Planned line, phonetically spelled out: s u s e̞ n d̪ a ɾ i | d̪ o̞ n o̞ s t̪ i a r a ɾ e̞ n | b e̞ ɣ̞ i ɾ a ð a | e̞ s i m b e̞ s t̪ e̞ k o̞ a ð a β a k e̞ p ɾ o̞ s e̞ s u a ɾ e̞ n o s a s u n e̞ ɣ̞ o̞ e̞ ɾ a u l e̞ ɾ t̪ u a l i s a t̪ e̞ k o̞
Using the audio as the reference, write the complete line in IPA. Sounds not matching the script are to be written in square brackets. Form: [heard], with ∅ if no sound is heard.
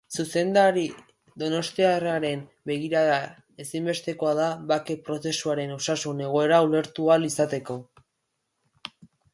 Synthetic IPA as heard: s u s e̞ n d̪ a ɾ i | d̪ o̞ n o̞ s t̪ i a r a ɾ e̞ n | b e̞ ɣ̞ i ɾ a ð a | e̞ s i m b e̞ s t̪ e̞ k o̞ a ð a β a k e̞ p ɾ o̞ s e̞ s u a ɾ e̞ n o s a s u n e̞ ɣ̞ o̞ e̞ ɾ a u l e̞ ɾ t̪ u a l i s a t̪ e̞ k o̞